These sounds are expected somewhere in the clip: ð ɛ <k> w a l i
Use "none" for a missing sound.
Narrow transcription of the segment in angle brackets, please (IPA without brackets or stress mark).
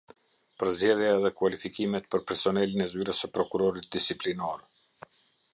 k